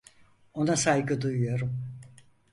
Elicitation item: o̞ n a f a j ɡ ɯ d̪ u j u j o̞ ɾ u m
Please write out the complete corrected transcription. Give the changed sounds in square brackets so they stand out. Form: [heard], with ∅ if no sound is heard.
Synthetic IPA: o̞ n a [s] a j ɡ ɯ d̪ u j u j o̞ ɾ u m

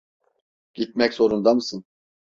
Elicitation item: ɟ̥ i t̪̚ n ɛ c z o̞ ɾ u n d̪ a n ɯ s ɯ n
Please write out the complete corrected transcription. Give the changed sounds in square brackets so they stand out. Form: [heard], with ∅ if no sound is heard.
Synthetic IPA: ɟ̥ i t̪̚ [m] ɛ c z o̞ ɾ u n d̪ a [m] ɯ s ɯ n

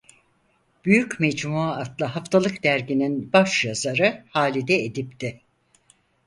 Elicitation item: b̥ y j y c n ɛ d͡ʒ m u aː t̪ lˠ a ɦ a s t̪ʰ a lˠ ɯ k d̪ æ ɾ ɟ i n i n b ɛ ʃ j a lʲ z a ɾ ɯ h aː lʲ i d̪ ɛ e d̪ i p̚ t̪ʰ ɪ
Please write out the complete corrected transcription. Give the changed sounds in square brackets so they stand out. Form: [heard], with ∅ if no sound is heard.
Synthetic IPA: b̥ y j y c [m] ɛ d͡ʒ m u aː t̪ lˠ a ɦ a [f] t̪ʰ a lˠ ɯ k d̪ æ ɾ ɟ i n i n b [a] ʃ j a [∅] z a ɾ ɯ h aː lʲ i d̪ ɛ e d̪ i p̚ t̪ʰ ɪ

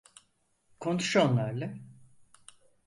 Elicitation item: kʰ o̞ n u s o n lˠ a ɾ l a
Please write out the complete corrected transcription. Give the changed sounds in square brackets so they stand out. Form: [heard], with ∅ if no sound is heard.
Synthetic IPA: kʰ o̞ n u [ʃ] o n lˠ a ɾ l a

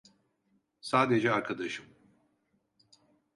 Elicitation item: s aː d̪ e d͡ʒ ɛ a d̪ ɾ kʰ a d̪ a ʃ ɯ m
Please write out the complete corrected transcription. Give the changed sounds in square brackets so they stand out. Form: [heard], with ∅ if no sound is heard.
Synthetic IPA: s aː d̪ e d͡ʒ ɛ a [∅] ɾ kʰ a d̪ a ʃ ɯ m

